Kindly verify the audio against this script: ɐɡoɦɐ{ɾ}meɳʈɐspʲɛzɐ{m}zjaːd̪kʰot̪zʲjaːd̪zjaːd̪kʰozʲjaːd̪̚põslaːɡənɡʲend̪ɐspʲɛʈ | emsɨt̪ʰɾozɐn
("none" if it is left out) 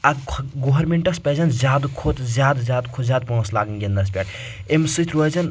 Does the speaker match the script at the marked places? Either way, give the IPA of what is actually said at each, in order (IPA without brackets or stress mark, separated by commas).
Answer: ɾ, n